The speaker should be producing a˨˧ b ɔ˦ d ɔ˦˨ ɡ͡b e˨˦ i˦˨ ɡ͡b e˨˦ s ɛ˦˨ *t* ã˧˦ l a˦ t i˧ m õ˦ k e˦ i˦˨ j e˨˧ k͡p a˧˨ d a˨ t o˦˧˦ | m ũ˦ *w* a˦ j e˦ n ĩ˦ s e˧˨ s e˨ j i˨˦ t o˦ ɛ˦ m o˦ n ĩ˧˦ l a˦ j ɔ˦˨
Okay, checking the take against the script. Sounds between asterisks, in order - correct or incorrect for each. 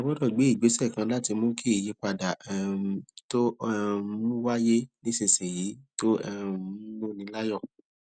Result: incorrect: k, correct

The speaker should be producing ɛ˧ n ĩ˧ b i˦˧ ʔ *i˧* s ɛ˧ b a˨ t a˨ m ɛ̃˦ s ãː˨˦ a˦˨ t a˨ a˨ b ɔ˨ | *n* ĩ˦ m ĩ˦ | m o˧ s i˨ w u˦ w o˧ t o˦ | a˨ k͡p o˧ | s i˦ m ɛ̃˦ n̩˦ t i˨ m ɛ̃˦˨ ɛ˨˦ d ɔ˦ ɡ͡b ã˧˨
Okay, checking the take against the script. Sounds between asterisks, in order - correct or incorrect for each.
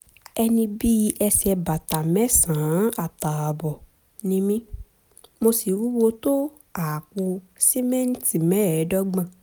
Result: incorrect: ɛ˧, correct

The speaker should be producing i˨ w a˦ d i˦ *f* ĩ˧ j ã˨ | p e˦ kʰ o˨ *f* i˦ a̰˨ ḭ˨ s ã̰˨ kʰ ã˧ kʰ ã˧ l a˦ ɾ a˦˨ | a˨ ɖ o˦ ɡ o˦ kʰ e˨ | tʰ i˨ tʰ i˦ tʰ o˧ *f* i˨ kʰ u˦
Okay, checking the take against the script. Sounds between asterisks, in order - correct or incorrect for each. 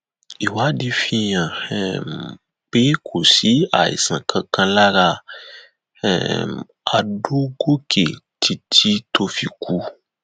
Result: correct, incorrect: s, correct

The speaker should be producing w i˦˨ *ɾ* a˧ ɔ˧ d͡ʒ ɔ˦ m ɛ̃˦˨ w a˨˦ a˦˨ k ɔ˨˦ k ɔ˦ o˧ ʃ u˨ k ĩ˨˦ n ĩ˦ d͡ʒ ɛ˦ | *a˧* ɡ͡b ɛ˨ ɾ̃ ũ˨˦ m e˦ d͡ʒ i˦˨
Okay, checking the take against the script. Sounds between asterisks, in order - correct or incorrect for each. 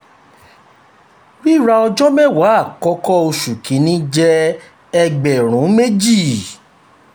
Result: correct, incorrect: ɛ˧

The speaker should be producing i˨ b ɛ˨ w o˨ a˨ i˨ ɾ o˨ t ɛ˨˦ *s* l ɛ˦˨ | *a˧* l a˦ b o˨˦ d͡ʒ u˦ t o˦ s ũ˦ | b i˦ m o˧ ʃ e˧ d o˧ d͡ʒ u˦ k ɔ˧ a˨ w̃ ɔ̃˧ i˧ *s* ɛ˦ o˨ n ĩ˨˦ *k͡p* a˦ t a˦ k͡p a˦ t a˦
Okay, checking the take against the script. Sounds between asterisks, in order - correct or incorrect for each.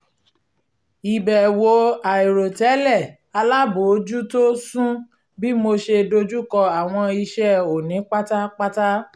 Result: incorrect: none, correct, incorrect: ʃ, correct

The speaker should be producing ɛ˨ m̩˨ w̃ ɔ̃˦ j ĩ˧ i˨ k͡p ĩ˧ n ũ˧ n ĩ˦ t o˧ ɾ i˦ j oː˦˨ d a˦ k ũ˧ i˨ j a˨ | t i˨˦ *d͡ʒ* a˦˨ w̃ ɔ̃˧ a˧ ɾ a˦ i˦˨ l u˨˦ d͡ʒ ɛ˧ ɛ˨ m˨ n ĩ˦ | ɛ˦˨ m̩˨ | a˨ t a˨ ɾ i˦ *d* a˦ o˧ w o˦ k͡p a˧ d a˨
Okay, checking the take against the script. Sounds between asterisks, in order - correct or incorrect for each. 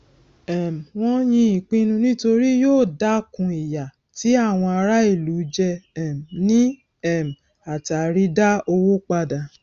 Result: incorrect: none, correct

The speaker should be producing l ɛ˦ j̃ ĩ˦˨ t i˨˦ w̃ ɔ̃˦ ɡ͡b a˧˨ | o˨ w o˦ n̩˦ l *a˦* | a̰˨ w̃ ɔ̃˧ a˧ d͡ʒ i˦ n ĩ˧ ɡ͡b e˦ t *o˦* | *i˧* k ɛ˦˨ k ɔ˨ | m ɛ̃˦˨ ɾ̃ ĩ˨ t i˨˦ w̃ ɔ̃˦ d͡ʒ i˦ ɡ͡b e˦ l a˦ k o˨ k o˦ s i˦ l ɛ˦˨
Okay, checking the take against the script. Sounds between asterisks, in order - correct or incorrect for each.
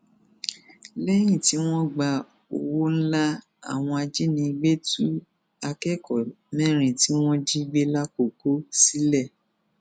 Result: correct, incorrect: u˦, incorrect: a˧

